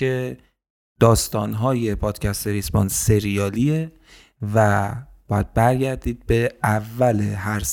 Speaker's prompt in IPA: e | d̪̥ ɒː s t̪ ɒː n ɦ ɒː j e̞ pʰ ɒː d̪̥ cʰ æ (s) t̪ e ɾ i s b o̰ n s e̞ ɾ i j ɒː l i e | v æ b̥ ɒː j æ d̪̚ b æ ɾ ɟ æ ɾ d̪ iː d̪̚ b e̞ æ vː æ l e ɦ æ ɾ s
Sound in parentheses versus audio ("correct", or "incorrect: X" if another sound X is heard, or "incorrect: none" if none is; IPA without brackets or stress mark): correct